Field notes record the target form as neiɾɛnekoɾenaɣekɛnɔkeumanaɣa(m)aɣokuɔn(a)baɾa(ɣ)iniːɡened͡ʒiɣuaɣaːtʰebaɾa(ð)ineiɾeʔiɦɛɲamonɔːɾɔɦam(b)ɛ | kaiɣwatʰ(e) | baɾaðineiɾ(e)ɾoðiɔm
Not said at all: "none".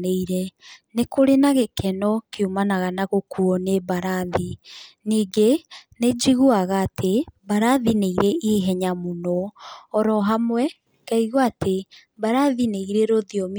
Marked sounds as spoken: n, e, ð, ð, w, e, e

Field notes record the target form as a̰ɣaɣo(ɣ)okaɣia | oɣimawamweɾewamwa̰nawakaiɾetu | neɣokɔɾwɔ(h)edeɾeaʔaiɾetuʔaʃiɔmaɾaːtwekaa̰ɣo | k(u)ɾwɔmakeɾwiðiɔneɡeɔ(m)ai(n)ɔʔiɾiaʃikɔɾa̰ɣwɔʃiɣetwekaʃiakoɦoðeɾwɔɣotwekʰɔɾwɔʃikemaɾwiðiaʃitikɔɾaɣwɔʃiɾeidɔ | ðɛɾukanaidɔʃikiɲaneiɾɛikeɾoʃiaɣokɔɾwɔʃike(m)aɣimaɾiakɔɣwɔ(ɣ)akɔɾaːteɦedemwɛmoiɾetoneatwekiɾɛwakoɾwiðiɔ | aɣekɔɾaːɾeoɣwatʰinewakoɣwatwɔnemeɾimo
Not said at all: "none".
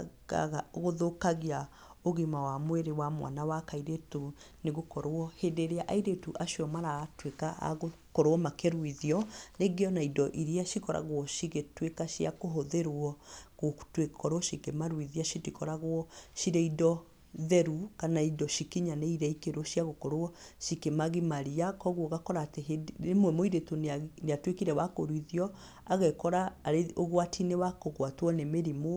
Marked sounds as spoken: ð, h, ɔ, n, d, m, ɣ

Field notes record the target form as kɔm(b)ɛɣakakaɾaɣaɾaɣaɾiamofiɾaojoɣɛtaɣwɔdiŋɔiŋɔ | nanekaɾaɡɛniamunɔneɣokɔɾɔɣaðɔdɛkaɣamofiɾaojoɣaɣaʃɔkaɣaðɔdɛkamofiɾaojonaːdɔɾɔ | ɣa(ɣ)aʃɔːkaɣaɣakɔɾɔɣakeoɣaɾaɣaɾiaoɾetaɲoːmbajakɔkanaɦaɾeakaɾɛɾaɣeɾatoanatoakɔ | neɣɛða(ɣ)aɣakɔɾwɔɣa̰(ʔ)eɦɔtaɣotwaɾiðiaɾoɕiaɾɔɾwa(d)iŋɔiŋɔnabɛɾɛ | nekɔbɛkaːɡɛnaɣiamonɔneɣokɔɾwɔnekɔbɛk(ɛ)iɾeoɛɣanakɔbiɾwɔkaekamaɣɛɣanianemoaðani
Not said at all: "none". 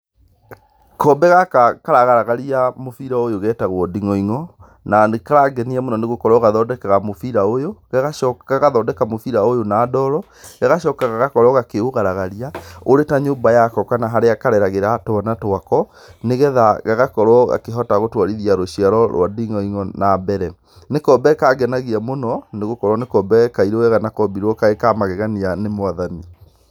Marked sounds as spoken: b, ɣ, ɣ, k, d, a

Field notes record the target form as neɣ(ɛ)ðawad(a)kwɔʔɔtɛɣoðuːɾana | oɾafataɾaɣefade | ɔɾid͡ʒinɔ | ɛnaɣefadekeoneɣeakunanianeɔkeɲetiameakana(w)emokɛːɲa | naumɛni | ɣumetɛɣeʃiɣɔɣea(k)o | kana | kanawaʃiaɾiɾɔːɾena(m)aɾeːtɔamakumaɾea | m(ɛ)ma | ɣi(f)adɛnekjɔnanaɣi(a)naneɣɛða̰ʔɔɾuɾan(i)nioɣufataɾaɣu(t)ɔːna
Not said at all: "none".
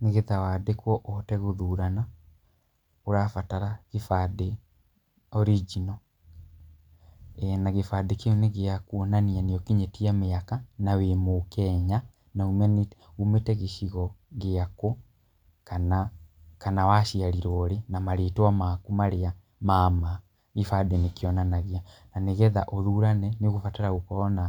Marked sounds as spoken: e, e, w, k, m, a, f, a, ɛ, k

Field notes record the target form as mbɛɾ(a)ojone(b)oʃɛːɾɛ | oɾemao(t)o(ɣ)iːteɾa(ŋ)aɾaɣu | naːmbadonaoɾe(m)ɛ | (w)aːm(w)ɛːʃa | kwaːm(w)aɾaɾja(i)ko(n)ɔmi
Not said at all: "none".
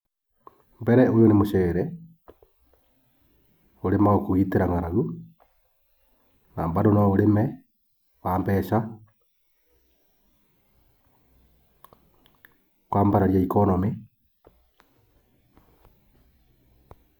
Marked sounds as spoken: ɛ, m, k, ɣ, ŋ, m, w, b, b, i, n

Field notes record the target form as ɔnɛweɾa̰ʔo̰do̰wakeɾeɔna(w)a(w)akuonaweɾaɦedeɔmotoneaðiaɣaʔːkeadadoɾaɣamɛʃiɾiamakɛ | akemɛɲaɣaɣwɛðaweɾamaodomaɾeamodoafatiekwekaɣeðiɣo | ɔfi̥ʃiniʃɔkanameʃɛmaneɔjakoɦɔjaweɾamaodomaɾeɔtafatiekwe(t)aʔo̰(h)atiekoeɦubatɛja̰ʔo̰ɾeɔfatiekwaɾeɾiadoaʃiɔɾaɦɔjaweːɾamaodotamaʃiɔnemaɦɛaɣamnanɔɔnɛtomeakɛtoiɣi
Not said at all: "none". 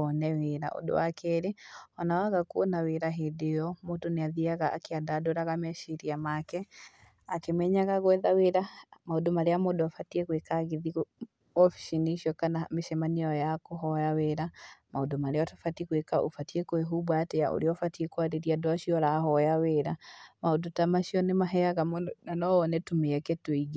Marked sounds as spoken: w, ɣ, k, f

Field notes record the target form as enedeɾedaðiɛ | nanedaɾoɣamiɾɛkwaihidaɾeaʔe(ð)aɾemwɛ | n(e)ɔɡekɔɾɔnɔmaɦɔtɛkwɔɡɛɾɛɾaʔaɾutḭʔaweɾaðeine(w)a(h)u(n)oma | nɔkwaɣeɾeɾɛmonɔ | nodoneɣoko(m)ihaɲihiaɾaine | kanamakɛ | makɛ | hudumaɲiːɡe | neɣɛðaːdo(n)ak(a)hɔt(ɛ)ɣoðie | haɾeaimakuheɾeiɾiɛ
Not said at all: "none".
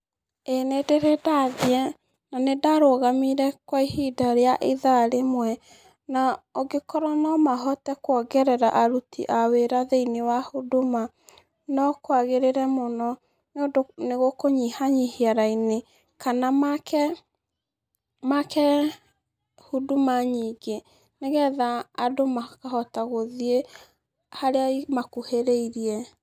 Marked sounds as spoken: ð, a, w, h, d, ɲ, m, a, a

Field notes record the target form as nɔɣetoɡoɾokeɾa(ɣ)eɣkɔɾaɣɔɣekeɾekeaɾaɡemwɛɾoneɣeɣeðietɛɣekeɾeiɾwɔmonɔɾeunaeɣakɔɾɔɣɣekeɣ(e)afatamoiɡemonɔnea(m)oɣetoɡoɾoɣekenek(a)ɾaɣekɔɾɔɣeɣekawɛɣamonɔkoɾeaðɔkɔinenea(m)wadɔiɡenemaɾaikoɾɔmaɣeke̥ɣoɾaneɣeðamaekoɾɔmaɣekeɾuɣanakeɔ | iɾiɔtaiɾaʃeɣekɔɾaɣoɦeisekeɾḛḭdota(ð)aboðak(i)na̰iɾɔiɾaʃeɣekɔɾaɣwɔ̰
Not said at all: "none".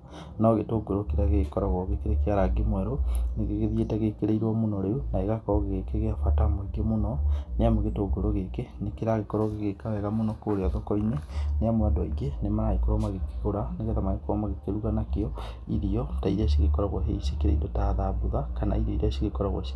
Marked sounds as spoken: ɣ, e, m, e, m, ð, a

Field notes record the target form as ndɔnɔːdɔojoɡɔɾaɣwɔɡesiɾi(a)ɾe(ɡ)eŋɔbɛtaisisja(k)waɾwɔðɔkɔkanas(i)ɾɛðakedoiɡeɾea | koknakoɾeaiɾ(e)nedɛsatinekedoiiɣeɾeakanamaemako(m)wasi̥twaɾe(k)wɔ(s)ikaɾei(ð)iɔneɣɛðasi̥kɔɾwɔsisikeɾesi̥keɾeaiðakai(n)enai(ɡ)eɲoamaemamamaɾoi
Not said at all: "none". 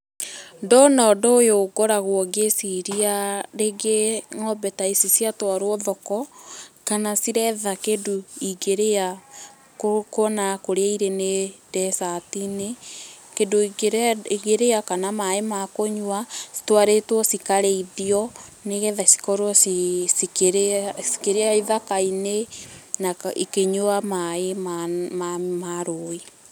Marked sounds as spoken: a, ɡ, t, i, e, ɲ, t, s, ð, n, k

